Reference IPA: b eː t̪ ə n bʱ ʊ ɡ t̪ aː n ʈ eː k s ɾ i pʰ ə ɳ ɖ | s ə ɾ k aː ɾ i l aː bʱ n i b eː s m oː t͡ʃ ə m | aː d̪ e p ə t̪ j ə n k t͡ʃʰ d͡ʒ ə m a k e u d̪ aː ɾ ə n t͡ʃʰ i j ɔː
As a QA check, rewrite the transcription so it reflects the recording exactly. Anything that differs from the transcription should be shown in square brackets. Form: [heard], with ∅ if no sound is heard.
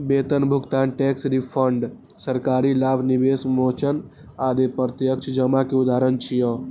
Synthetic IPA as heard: b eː t̪ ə n bʱ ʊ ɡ t̪ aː n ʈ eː k s ɾ i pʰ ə ɳ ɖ | s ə ɾ k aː ɾ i l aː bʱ n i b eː s m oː t͡ʃ ə [n] | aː d̪ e p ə t̪ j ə [∅] k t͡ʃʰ d͡ʒ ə m a k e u d̪ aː ɾ ə n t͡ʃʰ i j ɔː